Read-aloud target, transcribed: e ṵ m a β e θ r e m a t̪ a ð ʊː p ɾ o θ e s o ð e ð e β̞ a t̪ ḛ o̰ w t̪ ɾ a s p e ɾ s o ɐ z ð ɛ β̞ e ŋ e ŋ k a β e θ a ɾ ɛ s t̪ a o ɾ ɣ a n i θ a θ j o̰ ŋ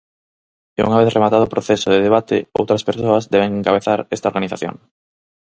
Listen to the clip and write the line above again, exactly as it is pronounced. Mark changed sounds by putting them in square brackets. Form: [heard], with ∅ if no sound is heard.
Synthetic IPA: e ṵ [ŋ] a β e θ r e m a t̪ a ð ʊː p ɾ o θ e s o ð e ð e β̞ a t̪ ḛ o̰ w t̪ ɾ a s p e ɾ s o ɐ z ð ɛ β̞ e ŋ e ŋ k a β e θ a ɾ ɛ s t̪ a o ɾ ɣ a n i θ a θ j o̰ ŋ